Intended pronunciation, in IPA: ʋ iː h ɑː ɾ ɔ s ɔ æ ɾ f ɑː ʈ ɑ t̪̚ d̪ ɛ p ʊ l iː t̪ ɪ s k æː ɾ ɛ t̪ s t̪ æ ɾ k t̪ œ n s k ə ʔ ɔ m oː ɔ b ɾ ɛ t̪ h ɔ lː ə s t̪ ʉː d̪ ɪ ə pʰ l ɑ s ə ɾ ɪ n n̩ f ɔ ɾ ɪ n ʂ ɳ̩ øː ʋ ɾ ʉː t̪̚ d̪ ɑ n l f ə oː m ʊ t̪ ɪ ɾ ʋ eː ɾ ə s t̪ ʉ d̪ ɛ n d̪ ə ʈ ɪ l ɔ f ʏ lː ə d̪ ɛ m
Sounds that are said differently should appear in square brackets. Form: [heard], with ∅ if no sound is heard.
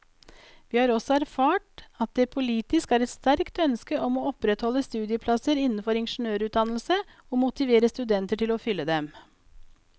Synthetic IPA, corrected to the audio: ʋ iː h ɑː ɾ ɔ s ɔ æ ɾ f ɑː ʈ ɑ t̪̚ d̪ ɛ [pʰ] ʊ l iː t̪ ɪ s k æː ɾ ɛ t̪ s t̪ æ ɾ k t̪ œ n s k ə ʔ ɔ m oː ɔ [p] ɾ ɛ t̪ h ɔ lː ə s t̪ ʉː d̪ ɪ ə pʰ l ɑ s ə ɾ ɪ n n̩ f ɔ ɾ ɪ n ʂ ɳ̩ øː [∅] ɾ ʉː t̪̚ d̪ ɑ n l [s] ə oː m ʊ t̪ ɪ [∅] ʋ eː ɾ ə s t̪ ʉ d̪ ɛ n [t̪] ə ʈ ɪ l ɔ f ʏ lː ə d̪ ɛ m